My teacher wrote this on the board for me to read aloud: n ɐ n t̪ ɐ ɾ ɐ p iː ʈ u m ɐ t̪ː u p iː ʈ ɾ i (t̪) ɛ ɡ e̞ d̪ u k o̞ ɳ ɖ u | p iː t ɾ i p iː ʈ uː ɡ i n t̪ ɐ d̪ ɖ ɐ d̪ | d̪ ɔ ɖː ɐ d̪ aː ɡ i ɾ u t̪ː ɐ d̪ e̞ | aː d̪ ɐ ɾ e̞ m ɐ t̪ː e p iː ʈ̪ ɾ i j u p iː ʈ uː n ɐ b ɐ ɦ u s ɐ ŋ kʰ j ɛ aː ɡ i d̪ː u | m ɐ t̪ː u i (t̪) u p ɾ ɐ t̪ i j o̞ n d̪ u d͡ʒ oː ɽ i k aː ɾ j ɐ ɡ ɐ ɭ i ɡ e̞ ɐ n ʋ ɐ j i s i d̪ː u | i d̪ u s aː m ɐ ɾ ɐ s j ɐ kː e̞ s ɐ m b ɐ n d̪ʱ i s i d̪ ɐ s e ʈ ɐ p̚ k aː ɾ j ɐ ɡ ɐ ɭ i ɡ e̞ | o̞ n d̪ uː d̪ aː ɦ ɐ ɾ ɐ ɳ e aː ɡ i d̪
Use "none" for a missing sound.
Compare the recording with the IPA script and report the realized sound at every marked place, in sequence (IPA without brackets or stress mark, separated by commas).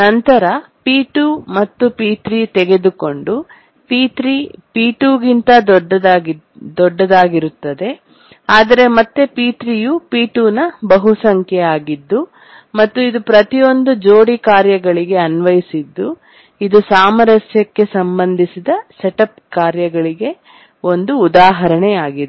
t̪, d̪